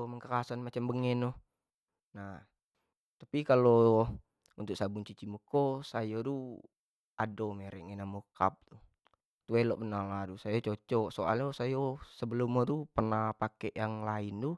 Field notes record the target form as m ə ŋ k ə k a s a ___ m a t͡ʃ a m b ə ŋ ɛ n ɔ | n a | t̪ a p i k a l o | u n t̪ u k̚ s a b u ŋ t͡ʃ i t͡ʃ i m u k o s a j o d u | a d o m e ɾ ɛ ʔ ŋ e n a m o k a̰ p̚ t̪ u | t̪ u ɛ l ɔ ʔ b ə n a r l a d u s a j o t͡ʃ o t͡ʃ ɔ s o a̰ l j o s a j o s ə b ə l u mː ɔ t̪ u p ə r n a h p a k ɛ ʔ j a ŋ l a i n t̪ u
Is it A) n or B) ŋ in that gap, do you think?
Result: A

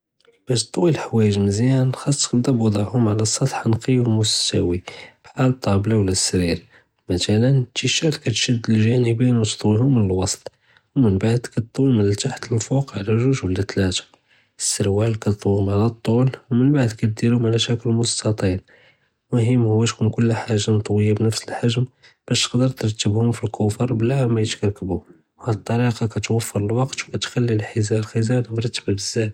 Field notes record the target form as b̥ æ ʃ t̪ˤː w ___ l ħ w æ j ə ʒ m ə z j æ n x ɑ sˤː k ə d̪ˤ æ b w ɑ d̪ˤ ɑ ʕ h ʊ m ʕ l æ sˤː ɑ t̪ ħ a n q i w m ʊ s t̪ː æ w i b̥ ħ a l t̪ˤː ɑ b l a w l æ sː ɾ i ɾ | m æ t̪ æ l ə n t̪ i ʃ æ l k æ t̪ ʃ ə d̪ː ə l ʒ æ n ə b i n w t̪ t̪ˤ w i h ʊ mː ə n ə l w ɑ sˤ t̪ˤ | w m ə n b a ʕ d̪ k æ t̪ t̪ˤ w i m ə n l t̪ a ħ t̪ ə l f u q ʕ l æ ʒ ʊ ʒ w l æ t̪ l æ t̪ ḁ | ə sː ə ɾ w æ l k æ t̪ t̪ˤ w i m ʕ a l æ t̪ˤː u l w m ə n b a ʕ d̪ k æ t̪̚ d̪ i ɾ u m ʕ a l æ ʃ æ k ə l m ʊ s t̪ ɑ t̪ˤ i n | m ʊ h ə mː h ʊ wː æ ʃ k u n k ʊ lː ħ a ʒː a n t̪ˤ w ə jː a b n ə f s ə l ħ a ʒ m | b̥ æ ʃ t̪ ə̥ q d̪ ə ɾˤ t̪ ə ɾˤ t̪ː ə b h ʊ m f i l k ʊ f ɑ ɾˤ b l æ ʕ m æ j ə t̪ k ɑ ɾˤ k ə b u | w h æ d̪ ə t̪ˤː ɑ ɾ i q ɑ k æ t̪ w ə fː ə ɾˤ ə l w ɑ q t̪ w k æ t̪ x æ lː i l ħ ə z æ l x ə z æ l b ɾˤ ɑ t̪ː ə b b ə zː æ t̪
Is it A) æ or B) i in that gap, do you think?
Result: B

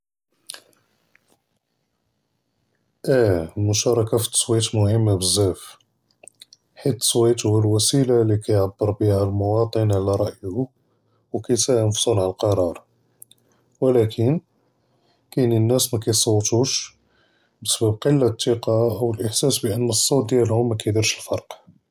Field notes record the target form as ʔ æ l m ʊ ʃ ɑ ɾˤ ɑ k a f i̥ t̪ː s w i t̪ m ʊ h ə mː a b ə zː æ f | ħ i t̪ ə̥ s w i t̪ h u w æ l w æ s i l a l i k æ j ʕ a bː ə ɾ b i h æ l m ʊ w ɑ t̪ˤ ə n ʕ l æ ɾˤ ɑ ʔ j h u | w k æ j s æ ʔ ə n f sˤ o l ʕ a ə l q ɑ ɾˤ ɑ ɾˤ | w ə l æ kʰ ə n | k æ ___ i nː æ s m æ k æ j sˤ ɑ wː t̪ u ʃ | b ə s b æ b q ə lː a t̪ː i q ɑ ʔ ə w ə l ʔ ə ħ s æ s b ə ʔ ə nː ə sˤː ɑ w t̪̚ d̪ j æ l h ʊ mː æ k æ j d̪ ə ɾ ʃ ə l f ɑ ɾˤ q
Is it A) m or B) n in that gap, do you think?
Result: B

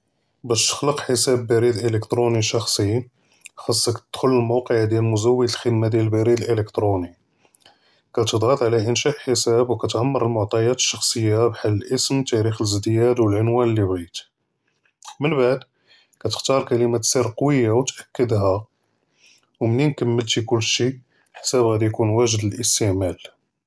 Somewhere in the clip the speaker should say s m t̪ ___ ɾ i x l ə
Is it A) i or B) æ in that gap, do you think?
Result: B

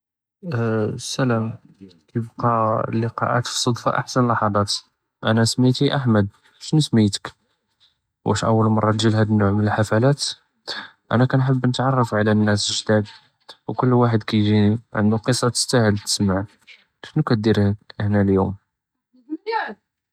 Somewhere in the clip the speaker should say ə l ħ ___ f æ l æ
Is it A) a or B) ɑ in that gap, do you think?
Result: A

